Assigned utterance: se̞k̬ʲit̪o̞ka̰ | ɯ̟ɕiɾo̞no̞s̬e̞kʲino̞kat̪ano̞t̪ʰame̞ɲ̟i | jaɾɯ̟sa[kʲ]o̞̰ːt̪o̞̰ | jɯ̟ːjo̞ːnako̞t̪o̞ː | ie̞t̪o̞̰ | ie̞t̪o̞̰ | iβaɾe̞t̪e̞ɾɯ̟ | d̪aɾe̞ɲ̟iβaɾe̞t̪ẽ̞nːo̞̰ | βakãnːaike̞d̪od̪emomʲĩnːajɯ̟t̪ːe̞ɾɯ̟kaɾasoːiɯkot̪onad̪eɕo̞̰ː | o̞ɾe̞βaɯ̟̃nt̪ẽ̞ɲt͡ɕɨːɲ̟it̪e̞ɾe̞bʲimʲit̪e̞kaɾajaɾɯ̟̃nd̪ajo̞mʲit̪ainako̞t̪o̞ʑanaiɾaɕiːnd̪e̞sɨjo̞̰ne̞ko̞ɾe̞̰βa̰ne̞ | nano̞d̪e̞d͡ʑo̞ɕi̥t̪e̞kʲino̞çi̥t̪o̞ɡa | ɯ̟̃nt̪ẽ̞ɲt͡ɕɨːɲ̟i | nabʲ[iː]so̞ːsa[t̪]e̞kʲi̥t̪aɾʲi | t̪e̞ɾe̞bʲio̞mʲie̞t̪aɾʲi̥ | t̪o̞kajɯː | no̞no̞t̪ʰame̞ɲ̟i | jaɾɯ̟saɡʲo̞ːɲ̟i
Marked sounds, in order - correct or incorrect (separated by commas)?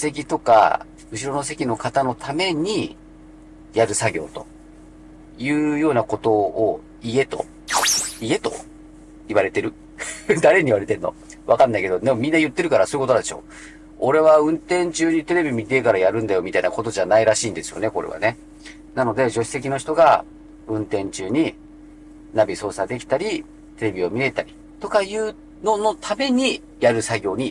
incorrect, incorrect, incorrect